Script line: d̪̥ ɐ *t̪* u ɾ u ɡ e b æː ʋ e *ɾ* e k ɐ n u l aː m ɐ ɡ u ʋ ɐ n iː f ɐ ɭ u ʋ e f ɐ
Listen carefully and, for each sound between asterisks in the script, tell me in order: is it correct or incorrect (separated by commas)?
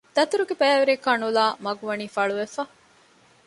correct, correct